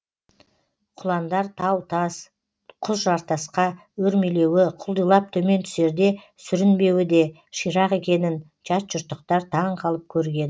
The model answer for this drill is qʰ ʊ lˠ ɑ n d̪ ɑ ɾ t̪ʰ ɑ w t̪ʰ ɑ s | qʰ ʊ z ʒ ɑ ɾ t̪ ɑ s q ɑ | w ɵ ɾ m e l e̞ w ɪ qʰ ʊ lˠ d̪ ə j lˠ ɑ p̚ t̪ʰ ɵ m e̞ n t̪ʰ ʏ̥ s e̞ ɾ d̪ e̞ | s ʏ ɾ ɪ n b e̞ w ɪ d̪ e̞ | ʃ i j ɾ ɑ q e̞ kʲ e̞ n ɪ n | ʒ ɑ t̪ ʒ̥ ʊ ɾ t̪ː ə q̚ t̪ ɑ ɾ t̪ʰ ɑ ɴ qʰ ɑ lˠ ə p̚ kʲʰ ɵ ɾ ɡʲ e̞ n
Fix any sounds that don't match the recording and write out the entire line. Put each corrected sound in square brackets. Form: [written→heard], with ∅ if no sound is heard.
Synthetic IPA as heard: qʰ ʊ lˠ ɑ n d̪ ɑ ɾ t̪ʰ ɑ w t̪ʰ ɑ s | qʰ ʊ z ʒ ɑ ɾ t̪ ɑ s q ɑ | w ɵ ɾ m e l e̞ w ɪ qʰ ʊ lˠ d̪ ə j lˠ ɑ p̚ t̪ʰ ɵ m e̞ n t̪ʰ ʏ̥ s e̞ ɾ d̪ e̞ | s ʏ ɾ ɪ n b e̞ w ɪ d̪ e̞ | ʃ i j ɾ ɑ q e̞ kʲ e̞ n ɪ n | ʒ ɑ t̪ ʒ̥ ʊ ɾ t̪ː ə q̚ t̪ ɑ ɾ t̪ʰ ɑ ɴ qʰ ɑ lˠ ə p̚ kʲʰ ɵ ɾ ɡʲ e̞ n